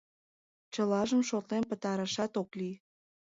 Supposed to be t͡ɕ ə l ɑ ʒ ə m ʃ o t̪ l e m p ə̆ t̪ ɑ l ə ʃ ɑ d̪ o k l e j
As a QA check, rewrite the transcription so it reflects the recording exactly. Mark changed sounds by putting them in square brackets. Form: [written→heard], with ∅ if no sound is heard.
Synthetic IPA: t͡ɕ ə l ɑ ʒ ə m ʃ o t̪ l e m p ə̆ t̪ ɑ [l→ɾ] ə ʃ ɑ [d̪→t̪] o k l [e→i] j